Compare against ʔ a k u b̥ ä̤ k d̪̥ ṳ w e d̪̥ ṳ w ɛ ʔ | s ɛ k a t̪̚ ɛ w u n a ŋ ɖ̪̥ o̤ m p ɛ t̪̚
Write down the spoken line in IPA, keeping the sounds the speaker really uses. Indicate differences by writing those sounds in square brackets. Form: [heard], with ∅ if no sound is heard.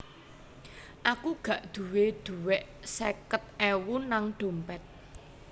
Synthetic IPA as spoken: ʔ a k u [ɡ̥] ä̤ [ʔ] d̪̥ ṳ w e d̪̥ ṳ w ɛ ʔ | s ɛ k [ə] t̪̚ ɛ w u n a ŋ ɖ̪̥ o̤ m p ɛ t̪̚